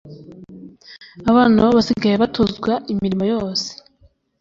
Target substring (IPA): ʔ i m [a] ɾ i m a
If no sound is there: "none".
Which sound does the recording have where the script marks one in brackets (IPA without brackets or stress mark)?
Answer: i